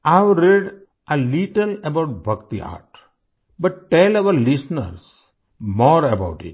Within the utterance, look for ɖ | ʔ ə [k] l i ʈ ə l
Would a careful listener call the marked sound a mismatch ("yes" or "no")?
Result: yes